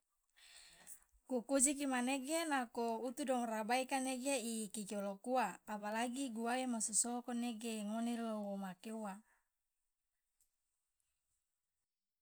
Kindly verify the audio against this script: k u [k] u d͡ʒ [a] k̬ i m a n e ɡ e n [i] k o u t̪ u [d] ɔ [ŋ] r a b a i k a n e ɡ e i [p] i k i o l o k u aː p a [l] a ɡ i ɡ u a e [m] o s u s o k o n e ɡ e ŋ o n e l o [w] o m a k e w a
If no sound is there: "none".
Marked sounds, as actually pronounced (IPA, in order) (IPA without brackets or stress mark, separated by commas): k, i, a, d, ŋ, k, l, m, w